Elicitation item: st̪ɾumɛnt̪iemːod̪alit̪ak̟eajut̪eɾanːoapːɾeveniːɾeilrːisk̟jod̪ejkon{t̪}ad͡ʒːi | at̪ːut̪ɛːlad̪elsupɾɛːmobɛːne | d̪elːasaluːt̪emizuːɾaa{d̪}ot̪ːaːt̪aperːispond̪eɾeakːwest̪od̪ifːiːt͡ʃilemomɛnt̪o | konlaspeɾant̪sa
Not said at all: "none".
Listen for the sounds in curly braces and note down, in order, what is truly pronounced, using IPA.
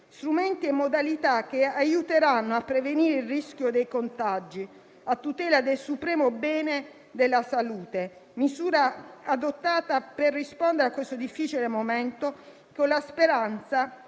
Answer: t̪, d̪

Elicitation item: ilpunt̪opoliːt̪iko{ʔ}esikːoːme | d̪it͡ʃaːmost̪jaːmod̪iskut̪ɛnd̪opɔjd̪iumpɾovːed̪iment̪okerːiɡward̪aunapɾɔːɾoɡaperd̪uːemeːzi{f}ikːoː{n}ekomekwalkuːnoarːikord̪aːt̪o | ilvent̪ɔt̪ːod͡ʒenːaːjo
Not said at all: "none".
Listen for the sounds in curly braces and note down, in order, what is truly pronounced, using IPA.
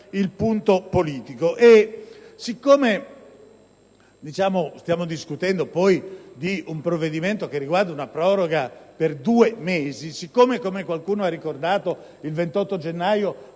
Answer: ʔ, s, m

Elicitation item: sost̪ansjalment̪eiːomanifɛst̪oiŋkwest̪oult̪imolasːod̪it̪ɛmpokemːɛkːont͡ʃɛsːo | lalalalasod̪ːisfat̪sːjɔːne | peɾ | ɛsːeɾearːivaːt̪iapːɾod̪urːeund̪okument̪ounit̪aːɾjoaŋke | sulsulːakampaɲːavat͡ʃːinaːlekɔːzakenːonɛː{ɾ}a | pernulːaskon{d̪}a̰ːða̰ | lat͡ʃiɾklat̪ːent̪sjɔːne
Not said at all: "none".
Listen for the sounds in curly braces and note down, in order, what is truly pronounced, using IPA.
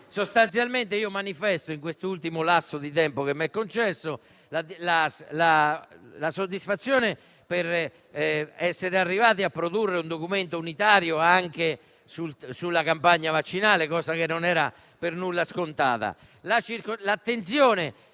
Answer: ɾ, t̪

